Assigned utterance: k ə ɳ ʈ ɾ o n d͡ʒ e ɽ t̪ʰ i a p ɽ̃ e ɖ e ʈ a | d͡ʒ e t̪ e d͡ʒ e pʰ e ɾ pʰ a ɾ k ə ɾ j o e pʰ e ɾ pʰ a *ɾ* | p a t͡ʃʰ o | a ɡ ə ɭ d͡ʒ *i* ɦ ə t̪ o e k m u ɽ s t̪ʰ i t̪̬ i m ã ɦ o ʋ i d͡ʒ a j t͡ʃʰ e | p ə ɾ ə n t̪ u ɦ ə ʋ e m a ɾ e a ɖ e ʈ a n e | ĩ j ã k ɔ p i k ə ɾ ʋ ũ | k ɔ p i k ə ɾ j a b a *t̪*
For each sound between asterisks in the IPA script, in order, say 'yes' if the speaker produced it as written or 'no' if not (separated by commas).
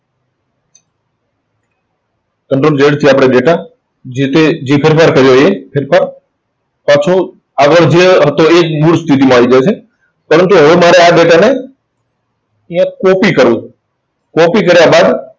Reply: yes, no, no